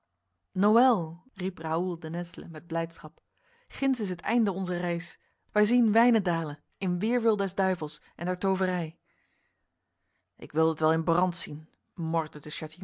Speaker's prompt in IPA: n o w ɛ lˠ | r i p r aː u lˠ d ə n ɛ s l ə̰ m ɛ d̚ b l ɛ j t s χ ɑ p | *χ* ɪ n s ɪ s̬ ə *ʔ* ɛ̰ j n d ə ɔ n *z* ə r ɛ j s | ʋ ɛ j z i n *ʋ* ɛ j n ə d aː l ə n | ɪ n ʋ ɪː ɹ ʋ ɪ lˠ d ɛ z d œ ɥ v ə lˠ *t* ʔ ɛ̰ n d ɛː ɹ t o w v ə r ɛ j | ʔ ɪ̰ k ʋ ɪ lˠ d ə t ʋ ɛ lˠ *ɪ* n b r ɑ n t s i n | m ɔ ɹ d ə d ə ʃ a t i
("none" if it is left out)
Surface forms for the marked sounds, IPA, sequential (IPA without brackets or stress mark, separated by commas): χ, t, z, ʋ, s, ɪ